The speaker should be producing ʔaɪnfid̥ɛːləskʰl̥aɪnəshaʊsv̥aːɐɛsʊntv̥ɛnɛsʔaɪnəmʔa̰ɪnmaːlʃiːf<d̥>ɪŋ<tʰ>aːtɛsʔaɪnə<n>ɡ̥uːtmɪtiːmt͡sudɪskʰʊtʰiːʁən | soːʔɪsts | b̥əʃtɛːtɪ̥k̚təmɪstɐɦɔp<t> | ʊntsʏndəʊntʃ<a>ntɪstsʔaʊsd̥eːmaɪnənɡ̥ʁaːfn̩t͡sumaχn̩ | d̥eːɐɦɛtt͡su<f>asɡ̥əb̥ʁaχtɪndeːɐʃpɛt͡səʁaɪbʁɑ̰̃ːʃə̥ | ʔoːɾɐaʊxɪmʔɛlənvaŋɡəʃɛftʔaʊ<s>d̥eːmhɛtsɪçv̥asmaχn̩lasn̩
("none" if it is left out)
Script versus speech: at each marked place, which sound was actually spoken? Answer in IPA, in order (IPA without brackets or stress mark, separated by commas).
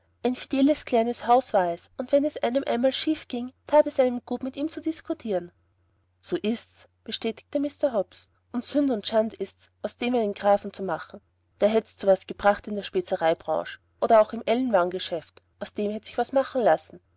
ɡ̥, tʰ, m, s, a, v, s